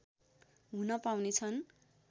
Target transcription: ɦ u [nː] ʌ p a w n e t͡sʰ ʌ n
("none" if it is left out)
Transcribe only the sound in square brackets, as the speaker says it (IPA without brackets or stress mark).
n